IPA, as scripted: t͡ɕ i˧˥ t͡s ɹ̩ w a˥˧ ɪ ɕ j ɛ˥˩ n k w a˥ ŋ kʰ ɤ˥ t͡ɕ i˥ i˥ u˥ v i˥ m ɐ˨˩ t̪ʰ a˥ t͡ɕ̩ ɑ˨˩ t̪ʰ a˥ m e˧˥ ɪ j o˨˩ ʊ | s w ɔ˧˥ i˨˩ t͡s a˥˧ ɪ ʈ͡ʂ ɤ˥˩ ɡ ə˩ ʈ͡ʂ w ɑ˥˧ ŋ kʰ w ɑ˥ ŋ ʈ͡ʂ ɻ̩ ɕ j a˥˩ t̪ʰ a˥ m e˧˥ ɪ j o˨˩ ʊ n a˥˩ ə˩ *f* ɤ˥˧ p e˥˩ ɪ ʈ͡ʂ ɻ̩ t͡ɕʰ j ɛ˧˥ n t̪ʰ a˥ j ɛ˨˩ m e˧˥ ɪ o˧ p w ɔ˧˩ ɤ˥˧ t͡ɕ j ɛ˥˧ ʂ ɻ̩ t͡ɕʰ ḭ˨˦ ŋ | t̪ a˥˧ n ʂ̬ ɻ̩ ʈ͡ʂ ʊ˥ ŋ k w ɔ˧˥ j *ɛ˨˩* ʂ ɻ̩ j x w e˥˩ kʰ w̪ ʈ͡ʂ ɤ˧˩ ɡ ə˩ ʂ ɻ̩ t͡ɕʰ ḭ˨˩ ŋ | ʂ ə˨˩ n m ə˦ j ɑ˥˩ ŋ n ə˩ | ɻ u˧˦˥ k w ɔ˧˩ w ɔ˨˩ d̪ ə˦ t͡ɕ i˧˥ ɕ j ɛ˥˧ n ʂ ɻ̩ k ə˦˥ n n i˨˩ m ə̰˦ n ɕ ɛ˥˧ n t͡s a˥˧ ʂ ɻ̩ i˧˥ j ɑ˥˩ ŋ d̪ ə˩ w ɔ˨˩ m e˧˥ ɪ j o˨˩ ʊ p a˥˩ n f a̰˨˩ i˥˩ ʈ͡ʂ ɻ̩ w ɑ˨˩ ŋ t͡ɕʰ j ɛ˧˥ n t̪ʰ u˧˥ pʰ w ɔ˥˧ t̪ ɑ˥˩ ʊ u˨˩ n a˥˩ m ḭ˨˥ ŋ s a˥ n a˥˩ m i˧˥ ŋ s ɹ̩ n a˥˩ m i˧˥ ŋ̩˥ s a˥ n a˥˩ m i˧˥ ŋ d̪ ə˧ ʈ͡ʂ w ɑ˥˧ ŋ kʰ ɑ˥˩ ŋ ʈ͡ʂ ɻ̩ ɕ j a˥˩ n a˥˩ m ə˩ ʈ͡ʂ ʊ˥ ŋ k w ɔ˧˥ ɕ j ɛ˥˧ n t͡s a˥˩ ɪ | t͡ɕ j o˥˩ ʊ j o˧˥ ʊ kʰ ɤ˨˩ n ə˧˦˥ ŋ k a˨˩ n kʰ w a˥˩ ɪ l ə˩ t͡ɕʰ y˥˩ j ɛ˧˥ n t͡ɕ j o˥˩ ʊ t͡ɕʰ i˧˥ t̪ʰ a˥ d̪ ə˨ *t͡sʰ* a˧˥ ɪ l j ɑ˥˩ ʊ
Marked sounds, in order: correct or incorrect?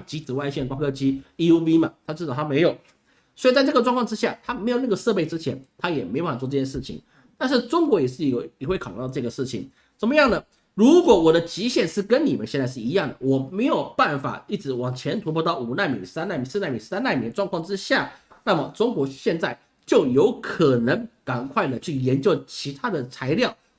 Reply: incorrect: ʂ, correct, correct

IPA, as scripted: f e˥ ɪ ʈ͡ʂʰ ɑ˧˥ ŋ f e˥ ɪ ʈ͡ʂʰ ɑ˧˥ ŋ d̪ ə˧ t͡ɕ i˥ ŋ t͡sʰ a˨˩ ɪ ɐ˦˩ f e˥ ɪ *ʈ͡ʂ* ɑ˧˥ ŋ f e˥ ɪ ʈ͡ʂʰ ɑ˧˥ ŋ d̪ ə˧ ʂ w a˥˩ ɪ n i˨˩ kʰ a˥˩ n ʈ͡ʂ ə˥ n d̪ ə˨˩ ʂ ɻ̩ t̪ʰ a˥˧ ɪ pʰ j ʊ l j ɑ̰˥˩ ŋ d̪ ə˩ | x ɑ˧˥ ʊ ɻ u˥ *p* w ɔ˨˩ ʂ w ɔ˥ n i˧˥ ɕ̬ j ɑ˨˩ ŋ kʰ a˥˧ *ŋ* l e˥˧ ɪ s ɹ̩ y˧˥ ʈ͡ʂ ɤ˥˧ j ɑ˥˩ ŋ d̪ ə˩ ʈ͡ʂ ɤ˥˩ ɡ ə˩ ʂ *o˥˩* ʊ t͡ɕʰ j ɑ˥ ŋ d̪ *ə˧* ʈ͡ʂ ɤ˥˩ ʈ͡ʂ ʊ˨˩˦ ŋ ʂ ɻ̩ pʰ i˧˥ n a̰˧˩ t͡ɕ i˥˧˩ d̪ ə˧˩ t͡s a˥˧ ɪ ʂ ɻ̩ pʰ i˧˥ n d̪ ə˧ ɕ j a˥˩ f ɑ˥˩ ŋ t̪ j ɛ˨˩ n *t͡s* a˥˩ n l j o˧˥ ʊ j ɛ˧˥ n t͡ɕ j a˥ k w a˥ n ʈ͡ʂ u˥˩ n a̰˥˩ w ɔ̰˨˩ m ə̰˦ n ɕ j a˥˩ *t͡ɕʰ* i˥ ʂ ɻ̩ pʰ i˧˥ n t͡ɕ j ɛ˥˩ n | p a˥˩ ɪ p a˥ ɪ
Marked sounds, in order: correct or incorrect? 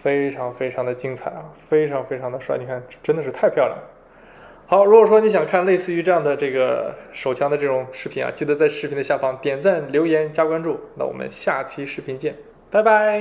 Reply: incorrect: ʈ͡ʂʰ, incorrect: k, incorrect: n, incorrect: o˨˩, correct, correct, correct

